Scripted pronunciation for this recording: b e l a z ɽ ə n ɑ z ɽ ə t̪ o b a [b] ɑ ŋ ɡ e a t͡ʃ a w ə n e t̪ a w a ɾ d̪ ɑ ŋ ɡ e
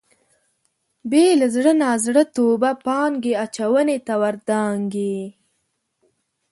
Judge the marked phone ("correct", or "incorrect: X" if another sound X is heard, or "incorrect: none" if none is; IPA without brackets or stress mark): incorrect: p